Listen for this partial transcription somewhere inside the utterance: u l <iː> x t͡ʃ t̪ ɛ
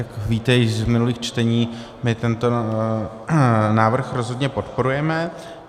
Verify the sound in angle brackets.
correct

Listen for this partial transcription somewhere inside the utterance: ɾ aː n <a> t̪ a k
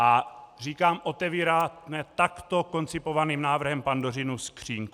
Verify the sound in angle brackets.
incorrect: ɛ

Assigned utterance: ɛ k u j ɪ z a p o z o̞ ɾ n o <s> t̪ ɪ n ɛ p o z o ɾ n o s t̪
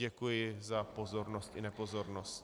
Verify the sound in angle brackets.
correct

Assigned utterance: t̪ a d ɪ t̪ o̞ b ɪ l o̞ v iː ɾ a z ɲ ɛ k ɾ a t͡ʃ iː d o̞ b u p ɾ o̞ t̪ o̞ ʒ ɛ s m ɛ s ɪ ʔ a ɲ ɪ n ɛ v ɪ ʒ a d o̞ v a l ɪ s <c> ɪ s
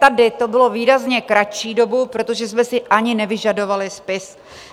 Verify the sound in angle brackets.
incorrect: p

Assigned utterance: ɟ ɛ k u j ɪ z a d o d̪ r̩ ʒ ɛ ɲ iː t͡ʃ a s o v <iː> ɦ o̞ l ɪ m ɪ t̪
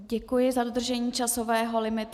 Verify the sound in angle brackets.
incorrect: ɛː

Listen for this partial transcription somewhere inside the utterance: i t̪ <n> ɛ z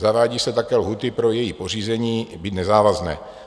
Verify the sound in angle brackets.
correct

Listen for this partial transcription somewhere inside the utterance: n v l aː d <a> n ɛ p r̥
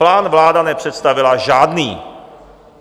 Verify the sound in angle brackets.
correct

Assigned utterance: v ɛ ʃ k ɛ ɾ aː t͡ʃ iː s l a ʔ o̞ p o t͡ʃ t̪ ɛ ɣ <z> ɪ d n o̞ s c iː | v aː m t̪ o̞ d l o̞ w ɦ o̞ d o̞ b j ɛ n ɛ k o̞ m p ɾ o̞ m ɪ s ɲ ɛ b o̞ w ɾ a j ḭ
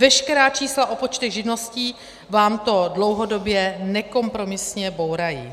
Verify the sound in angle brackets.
incorrect: ʒ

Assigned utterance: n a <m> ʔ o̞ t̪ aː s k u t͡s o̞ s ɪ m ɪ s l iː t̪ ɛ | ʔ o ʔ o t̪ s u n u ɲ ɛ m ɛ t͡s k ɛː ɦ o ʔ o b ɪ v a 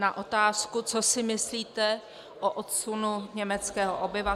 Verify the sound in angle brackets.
incorrect: none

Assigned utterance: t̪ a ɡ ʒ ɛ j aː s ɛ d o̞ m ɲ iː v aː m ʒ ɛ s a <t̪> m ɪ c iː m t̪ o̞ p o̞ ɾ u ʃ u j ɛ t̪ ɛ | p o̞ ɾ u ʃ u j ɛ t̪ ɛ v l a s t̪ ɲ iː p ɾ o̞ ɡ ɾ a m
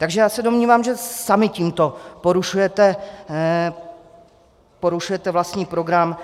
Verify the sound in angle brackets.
incorrect: none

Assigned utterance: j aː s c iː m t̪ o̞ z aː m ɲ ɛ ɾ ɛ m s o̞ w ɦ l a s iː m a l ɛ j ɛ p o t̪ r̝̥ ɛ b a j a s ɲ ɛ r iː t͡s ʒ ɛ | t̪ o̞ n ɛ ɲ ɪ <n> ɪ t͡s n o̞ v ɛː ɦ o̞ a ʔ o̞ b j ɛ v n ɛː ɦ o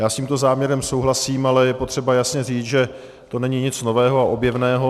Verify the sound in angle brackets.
incorrect: ɲ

